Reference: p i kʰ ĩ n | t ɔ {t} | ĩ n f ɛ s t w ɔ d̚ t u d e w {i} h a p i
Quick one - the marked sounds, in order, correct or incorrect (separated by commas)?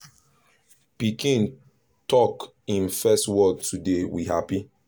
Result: incorrect, correct